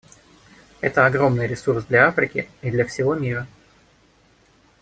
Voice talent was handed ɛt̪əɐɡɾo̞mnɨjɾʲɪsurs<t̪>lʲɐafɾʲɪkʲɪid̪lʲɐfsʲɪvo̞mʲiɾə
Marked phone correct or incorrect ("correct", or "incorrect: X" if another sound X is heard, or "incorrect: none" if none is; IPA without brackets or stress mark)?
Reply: incorrect: d̪